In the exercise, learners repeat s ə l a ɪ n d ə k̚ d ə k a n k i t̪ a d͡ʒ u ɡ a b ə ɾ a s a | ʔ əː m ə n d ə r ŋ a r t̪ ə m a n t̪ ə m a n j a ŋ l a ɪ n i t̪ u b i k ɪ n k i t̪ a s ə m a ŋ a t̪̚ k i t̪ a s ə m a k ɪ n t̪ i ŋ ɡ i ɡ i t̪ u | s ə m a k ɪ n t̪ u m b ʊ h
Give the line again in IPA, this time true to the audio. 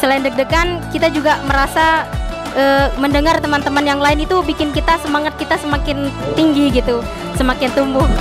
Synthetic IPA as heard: s ə l a ɪ n d ə k̚ d ə k a n k i t̪ a d͡ʒ u ɡ a m ə ɾ a s a | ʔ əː m ə n d ə ŋ a r t̪ ə m a n t̪ ə m a n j a ŋ l a ɪ n i t̪ u b i k ɪ n k i t̪ a s ə m a ŋ a t̪̚ k i t̪ a s ə m a k ɪ n t̪ i ŋ ɡ i ɡ i t̪ u | s ə m a k ɪ n t̪ u m b ʊ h